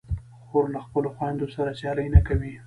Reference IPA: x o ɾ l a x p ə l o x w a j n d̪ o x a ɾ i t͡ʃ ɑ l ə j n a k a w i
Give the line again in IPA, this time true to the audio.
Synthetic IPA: x o ɾ l a x p ə l o x w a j n d̪ o s a ɾ a t͡ʃ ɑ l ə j n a k a w i